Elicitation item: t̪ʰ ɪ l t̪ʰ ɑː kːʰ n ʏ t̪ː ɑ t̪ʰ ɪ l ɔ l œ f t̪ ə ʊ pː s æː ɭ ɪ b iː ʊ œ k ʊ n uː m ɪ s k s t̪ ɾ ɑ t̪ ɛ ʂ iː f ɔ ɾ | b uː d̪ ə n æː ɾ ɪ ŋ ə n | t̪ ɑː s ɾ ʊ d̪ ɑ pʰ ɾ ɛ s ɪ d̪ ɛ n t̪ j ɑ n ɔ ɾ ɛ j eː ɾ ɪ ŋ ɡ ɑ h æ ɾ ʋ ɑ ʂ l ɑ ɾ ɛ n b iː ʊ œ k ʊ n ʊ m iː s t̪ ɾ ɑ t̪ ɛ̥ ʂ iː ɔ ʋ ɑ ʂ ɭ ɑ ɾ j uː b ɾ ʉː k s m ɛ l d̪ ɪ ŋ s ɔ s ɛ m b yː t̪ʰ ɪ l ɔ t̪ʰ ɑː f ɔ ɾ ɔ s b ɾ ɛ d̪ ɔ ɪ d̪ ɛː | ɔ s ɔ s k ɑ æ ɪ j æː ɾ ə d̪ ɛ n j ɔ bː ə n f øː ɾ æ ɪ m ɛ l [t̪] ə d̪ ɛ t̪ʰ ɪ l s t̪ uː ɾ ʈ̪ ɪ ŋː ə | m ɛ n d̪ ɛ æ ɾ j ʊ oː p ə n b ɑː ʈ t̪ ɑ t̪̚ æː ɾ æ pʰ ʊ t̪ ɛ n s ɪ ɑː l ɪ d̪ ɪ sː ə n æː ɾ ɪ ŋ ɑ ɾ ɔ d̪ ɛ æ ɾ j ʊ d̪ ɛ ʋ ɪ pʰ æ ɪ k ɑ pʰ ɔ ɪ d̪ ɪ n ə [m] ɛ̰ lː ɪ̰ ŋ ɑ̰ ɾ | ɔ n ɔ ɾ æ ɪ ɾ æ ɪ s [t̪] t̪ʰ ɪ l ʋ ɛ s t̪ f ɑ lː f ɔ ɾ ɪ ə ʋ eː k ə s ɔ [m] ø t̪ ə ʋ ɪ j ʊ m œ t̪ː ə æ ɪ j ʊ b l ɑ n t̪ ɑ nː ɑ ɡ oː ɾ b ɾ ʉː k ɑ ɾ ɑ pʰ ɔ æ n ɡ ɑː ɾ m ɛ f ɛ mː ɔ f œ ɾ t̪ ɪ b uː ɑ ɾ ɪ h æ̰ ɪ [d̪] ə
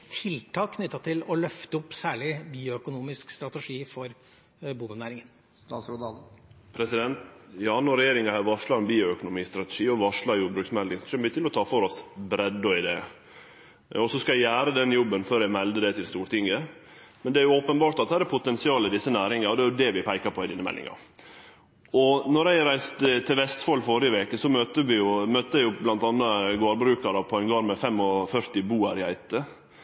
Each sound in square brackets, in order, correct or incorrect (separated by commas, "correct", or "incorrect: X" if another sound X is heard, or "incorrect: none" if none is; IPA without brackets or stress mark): incorrect: d̪, correct, correct, correct, incorrect: t̪